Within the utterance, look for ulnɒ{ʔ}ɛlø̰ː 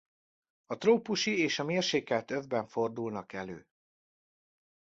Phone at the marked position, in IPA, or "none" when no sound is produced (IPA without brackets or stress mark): k